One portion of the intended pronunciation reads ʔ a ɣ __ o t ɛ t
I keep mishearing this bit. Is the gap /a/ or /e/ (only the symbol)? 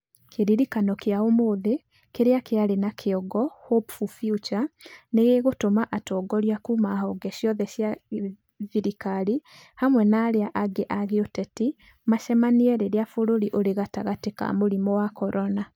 e